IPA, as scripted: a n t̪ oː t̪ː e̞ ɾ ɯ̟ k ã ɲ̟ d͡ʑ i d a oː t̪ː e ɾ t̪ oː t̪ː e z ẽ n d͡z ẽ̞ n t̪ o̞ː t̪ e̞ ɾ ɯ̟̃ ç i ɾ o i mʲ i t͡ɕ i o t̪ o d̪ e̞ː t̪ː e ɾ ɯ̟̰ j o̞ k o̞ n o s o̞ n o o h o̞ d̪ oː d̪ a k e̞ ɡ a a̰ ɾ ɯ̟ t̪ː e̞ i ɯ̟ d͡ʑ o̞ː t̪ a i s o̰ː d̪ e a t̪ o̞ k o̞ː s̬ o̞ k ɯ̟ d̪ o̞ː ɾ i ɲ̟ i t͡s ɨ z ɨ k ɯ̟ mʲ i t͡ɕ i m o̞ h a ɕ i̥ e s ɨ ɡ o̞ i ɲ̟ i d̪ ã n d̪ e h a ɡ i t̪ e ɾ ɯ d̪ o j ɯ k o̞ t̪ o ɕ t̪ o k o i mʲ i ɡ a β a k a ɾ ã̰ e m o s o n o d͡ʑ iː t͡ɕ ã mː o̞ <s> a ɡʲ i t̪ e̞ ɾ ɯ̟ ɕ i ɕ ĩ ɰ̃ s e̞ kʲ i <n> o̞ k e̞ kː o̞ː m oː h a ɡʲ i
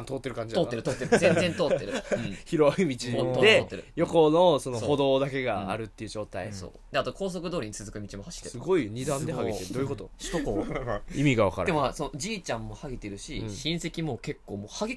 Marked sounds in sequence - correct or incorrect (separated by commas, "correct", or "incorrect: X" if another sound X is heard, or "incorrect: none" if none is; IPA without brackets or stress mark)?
incorrect: h, incorrect: m